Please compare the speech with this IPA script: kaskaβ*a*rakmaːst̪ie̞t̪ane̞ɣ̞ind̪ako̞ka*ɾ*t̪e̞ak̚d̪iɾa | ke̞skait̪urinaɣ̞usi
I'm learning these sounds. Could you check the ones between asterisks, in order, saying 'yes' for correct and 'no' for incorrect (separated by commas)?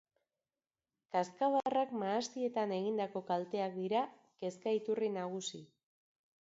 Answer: yes, no